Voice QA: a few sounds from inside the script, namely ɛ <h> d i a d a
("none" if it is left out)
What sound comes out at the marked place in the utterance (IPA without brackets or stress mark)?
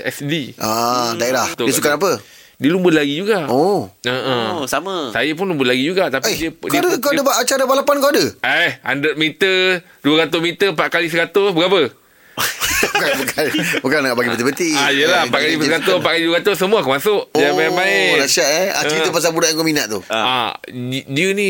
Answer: s